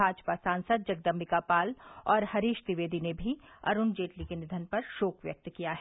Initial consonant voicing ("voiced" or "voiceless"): voiced